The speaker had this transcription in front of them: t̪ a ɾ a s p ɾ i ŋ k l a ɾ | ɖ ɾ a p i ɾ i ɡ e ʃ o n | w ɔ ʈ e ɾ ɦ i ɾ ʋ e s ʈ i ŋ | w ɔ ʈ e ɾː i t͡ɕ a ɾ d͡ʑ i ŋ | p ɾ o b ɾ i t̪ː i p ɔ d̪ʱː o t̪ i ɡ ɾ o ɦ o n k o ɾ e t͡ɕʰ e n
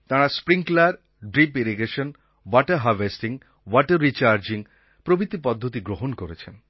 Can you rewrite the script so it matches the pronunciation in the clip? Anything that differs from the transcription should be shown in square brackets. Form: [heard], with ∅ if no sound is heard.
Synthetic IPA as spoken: t̪ a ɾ a s p ɾ i ŋ k l a ɾ | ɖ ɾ [i] p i ɾ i ɡ e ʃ o n | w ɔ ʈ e ɾ ɦ [a] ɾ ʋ e s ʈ i ŋ | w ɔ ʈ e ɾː i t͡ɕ a ɾ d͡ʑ i ŋ | p ɾ o b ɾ i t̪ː i p ɔ d̪ʱː o t̪ i ɡ ɾ o ɦ o n k o ɾ e t͡ɕʰ e n